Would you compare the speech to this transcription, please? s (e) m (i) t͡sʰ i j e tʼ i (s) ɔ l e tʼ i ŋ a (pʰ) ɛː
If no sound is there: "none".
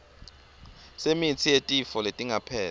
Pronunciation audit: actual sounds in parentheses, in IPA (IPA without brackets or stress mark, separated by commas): e, i, f, pʰ